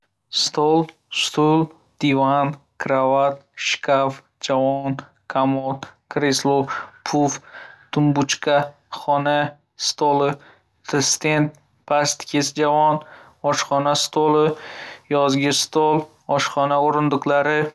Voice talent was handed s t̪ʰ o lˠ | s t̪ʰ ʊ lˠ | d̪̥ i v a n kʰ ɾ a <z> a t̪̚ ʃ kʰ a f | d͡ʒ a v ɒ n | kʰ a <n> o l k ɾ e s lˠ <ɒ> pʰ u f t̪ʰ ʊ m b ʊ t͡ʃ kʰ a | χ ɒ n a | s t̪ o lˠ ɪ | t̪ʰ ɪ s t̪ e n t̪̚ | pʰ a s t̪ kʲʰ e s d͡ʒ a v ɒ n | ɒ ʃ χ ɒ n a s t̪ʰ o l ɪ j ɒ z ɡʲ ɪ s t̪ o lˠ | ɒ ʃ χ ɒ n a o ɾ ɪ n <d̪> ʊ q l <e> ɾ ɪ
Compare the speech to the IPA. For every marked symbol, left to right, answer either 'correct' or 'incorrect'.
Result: incorrect, incorrect, incorrect, correct, incorrect

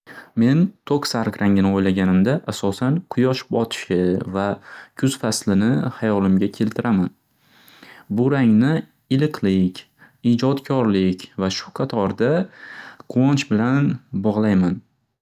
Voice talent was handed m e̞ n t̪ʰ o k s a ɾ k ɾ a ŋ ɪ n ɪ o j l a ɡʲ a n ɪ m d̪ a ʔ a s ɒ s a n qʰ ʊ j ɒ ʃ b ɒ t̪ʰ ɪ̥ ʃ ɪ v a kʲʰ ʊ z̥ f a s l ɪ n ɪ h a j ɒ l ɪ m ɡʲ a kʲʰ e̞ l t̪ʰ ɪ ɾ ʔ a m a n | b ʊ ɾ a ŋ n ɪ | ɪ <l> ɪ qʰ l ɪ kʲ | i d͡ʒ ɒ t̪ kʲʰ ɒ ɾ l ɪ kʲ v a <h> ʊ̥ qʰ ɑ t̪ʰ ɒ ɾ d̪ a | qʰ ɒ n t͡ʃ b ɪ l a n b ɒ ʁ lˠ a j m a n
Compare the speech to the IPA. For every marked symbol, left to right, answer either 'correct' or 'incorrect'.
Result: correct, incorrect

